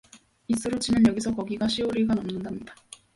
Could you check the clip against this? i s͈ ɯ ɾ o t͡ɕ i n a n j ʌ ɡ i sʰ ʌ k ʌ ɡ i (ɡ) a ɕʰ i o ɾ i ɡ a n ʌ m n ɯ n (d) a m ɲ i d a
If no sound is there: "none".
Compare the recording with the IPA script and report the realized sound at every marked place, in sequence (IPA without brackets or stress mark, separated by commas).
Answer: ɡ, d